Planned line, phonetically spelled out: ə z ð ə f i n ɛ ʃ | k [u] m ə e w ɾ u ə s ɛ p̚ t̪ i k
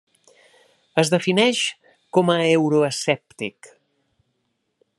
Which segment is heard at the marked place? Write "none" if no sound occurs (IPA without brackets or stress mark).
ɔ